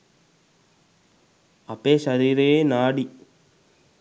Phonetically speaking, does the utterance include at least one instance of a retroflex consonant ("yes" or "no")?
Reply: yes